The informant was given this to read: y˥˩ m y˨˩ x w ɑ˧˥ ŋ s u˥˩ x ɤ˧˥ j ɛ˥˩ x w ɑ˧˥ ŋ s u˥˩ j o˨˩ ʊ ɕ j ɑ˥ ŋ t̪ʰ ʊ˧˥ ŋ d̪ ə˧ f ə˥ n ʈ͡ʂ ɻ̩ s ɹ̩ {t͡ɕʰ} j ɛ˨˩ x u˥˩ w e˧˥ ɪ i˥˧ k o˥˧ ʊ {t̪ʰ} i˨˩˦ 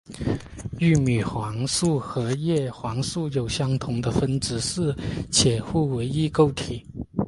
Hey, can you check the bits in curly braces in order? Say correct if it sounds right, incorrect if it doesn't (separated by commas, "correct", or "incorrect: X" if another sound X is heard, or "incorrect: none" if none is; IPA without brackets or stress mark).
correct, correct